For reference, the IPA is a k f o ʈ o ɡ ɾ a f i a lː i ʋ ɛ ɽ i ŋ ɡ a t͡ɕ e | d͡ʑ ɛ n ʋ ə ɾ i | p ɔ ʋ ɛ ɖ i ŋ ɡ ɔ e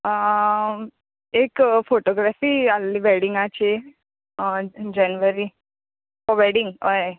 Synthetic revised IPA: e k f o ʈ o ɡ ɾ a f i a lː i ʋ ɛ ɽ i ŋ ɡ a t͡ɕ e | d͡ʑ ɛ n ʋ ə ɾ i | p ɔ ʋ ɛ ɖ i ŋ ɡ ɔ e